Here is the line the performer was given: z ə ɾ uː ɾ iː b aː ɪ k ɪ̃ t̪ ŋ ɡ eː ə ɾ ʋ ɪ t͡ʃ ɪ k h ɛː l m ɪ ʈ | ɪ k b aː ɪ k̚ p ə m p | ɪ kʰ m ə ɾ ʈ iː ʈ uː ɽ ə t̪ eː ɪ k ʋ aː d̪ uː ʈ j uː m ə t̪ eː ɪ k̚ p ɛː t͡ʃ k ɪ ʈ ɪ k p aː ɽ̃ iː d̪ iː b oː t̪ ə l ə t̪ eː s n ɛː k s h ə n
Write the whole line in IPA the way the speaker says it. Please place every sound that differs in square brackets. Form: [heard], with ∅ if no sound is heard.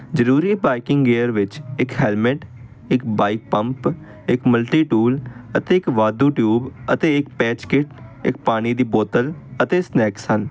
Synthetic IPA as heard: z ə ɾ uː ɾ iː b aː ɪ k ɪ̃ [∅] ŋ ɡ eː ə ɾ ʋ ɪ t͡ʃ ɪ k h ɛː l m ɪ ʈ | ɪ k b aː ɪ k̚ p ə m p | ɪ [k] m ə [l] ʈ iː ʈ uː [l] ə t̪ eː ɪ k ʋ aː d̪ uː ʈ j uː [b] ə t̪ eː ɪ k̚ p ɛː t͡ʃ k ɪ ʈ ɪ k p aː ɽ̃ iː d̪ iː b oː t̪ ə l ə t̪ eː s n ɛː k s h ə n